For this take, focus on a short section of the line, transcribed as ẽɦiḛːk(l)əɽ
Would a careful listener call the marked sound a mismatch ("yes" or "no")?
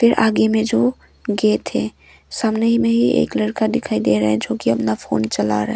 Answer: no